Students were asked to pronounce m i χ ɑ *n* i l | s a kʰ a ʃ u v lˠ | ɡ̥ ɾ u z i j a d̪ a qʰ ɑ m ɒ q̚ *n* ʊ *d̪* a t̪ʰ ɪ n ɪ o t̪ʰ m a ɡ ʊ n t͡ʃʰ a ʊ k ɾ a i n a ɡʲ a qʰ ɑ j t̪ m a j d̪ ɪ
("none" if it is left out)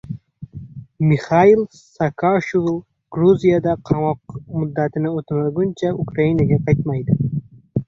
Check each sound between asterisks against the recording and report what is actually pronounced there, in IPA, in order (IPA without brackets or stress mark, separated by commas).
none, m, d̪ː